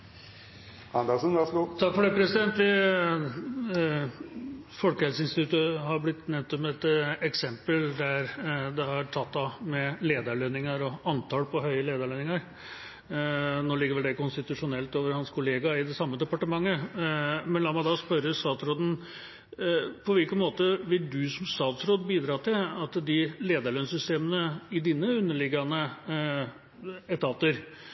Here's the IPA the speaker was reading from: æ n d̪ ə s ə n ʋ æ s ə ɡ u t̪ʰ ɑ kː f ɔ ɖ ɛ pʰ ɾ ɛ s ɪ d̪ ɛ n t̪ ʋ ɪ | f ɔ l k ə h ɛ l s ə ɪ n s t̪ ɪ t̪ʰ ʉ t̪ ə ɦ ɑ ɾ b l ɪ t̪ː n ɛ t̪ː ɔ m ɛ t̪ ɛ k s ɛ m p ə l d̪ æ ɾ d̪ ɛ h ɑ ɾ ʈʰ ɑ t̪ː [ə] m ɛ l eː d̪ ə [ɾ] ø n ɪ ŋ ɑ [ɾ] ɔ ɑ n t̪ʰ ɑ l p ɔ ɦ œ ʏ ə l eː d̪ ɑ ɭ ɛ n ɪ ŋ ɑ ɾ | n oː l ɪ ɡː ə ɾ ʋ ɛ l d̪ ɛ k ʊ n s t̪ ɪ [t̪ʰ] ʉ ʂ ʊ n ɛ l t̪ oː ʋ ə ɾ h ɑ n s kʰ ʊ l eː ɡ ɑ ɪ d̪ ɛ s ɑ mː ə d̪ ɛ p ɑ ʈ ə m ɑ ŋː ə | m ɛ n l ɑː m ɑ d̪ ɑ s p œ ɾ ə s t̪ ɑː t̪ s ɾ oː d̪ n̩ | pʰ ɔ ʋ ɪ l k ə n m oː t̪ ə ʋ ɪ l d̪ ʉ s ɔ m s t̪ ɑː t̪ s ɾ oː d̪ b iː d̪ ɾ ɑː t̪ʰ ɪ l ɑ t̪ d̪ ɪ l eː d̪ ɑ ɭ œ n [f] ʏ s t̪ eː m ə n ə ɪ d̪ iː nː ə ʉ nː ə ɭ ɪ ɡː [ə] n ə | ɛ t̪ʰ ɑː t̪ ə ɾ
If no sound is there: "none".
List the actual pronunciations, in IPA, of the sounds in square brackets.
ɑ, ɭ, ɾ, t̪, s, ɑ

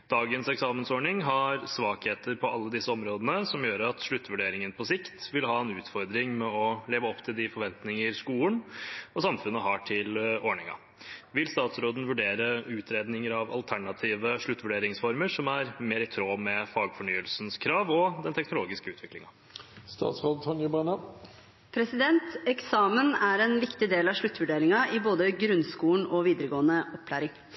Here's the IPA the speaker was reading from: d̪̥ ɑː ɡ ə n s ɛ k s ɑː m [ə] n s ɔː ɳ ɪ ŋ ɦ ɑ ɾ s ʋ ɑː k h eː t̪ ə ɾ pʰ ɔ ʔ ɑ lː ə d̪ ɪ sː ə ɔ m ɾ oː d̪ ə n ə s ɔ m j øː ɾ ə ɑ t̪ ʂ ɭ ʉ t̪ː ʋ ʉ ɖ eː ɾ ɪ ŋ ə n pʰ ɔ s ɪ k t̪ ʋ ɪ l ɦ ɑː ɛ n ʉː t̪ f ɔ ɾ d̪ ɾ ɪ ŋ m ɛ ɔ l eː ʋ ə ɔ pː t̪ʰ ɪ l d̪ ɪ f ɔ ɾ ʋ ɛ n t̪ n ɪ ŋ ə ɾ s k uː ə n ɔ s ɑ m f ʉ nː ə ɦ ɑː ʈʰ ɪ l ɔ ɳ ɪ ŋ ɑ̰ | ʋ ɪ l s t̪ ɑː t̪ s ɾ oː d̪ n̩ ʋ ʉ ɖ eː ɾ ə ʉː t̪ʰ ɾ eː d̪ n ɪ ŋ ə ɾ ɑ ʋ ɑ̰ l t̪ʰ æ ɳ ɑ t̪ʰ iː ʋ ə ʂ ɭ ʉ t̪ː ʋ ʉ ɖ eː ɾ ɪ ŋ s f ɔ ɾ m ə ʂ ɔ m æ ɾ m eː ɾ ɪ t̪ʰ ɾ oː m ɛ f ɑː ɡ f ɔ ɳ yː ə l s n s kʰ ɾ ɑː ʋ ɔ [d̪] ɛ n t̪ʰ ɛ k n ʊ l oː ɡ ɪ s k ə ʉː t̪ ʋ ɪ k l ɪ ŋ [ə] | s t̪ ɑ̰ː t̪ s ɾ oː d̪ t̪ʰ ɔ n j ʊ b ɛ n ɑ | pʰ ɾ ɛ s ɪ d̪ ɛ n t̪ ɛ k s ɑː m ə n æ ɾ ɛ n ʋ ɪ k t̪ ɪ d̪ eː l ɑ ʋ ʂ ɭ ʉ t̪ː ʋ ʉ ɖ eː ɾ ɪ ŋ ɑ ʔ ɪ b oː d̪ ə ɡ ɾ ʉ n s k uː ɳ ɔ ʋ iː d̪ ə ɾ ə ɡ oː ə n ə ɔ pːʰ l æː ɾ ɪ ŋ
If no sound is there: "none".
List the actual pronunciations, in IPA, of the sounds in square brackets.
ə, d̪, ɑ

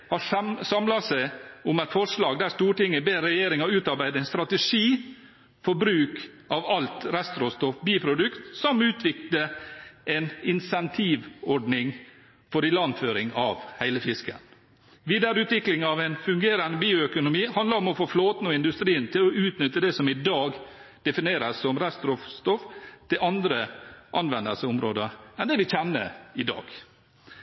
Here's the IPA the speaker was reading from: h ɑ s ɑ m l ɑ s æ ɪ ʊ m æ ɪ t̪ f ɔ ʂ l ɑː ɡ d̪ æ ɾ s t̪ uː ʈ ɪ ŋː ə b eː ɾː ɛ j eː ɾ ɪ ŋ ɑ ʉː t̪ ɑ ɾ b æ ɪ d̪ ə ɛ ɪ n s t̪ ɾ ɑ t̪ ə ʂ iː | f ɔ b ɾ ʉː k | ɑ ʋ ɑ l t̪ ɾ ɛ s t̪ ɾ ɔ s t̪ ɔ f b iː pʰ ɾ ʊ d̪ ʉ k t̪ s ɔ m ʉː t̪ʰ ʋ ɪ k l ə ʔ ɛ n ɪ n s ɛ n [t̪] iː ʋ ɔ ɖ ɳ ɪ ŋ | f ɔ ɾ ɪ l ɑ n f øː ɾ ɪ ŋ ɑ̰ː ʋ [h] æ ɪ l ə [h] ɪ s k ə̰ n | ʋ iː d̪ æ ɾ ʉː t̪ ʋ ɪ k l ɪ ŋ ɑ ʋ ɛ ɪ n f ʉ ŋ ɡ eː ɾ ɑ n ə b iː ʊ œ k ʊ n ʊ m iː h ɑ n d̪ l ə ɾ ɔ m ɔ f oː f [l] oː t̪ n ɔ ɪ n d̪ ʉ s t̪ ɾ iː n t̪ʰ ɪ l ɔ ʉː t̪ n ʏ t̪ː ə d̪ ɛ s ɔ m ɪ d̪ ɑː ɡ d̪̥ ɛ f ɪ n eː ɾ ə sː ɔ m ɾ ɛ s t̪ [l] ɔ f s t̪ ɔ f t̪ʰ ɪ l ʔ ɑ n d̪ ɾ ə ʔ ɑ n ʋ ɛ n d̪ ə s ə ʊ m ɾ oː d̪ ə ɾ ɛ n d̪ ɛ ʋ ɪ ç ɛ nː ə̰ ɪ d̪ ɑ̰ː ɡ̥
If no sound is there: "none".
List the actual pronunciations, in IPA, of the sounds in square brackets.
t̪ʰ, h, f, l, ɾ

